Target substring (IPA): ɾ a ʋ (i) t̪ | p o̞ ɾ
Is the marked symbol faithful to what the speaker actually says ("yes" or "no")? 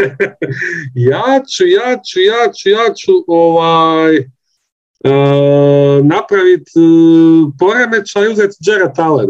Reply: yes